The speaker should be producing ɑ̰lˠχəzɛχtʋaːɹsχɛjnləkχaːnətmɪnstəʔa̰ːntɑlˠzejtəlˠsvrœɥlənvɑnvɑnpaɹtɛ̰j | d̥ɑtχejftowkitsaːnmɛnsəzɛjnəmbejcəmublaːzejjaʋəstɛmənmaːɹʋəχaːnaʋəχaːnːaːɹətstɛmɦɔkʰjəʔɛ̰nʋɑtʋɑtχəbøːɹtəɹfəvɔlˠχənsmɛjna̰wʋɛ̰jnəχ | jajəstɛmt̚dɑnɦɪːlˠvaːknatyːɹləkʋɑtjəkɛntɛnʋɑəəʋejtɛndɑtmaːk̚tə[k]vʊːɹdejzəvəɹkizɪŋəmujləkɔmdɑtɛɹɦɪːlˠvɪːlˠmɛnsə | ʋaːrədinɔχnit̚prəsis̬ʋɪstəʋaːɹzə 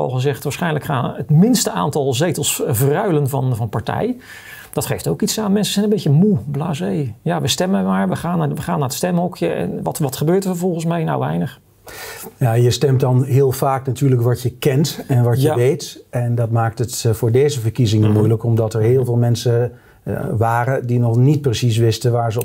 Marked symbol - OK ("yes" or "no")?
no